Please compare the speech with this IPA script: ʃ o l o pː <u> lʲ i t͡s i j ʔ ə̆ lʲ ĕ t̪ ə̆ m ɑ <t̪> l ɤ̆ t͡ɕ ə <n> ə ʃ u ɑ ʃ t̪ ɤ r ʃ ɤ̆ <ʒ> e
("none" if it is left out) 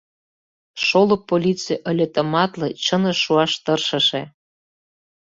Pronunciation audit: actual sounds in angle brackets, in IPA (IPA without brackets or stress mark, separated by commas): o, t̪, n, ʃ